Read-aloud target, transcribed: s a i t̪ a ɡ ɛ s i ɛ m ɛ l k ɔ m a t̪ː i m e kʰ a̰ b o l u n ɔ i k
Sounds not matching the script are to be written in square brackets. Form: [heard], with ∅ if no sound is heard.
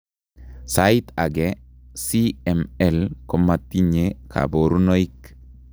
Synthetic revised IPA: s a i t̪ a ɡ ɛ s i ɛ m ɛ l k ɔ m a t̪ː i [ɲ] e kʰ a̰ b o [ɾ] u n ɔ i k